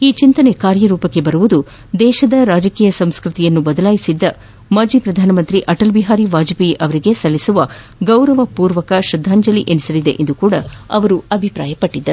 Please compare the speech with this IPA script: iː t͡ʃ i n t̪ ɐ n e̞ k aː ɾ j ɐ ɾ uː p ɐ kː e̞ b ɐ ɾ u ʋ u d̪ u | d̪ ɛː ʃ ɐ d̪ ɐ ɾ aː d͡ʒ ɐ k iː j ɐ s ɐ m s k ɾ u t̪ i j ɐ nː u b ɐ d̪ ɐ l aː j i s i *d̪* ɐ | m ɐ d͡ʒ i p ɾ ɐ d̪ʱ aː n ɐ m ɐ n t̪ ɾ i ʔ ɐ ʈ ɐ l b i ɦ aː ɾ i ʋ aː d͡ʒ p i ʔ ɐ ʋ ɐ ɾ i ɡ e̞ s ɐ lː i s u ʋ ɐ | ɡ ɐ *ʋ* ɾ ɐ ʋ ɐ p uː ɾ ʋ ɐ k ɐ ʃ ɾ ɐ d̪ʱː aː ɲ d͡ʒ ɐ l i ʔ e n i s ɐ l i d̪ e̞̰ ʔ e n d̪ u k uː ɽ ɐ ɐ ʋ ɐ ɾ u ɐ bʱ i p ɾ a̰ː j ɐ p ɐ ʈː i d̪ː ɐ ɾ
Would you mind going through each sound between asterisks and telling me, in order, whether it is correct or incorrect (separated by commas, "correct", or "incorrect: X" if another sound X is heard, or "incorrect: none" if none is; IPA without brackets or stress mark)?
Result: incorrect: d̪ː, incorrect: w